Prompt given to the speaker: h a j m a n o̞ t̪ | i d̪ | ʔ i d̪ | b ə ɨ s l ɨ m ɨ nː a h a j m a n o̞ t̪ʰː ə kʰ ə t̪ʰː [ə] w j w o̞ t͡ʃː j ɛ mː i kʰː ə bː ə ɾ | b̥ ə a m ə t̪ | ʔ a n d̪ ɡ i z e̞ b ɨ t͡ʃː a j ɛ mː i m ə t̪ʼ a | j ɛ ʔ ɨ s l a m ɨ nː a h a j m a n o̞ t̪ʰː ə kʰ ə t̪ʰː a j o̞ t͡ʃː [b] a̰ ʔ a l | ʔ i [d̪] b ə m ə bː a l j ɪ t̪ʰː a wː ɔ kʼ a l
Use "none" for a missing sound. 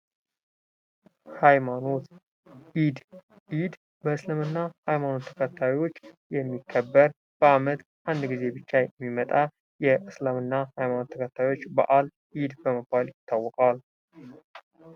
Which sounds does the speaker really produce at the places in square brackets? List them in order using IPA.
a, b, d̪

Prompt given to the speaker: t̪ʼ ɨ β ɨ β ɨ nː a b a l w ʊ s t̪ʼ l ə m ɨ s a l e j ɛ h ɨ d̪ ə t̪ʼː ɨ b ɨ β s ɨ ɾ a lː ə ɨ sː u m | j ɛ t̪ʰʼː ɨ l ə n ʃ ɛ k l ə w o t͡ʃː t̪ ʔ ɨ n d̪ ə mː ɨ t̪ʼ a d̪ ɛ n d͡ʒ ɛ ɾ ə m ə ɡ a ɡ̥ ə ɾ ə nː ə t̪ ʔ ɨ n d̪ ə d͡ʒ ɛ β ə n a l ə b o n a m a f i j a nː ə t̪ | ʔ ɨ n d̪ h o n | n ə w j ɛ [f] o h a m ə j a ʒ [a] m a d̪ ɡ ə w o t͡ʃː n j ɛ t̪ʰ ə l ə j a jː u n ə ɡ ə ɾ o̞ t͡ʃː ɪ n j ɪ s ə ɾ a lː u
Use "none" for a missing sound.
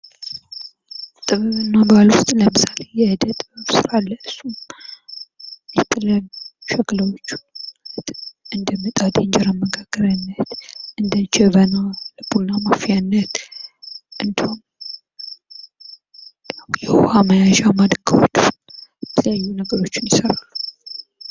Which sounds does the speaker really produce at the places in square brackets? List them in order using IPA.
h, a

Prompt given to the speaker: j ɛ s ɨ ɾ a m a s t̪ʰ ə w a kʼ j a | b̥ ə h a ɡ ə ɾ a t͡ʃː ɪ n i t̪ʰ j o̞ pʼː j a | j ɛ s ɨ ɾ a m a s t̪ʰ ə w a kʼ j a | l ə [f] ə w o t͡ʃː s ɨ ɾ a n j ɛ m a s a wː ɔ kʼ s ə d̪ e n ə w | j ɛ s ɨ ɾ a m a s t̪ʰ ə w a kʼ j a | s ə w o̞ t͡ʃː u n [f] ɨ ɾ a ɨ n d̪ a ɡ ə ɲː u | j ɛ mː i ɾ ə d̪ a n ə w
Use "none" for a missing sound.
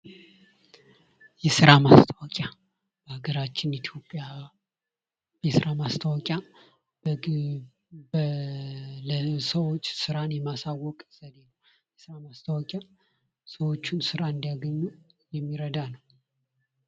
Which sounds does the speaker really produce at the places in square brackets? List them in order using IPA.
s, s

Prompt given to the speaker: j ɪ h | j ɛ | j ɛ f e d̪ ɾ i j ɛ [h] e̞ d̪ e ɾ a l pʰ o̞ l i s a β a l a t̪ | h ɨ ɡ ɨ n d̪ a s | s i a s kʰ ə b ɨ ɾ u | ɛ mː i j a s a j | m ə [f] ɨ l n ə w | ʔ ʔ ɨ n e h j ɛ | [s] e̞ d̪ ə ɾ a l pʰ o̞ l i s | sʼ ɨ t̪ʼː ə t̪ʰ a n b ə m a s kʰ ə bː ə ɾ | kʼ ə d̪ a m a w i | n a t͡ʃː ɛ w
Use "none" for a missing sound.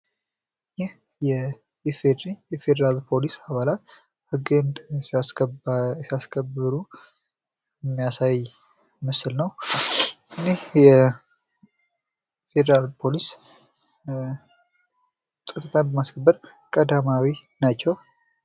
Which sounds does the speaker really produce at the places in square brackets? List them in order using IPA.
f, s, f

